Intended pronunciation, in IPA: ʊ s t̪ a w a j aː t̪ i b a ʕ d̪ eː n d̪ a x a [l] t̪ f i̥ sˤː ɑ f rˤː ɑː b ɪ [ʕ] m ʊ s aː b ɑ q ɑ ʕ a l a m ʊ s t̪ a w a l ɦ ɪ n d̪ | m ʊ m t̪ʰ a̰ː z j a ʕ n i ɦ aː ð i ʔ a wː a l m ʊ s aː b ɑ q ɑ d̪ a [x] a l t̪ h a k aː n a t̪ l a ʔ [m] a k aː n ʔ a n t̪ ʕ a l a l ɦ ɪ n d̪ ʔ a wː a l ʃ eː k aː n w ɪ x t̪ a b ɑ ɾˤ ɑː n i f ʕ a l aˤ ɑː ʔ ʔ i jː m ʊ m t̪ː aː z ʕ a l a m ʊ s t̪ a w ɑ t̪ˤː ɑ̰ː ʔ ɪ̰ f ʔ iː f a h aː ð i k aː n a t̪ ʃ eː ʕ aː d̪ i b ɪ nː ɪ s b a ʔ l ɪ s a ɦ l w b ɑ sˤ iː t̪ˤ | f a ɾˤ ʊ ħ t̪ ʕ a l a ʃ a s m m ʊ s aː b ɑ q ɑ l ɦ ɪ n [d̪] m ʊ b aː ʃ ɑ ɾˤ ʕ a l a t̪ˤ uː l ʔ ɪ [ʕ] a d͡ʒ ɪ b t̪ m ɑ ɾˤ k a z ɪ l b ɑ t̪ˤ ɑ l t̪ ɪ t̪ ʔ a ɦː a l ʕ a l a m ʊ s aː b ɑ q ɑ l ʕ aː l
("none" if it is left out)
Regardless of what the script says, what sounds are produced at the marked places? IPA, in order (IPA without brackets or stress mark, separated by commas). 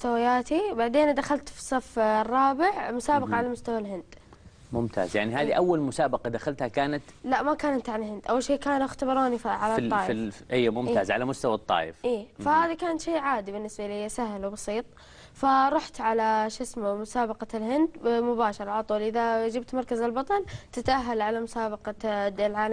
l, ʕ, x, m, d̪, ð